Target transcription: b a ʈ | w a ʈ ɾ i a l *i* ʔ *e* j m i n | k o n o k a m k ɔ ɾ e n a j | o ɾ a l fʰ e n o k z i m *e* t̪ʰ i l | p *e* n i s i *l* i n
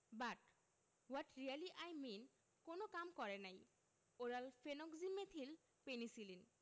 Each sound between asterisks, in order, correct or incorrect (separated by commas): correct, incorrect, correct, correct, correct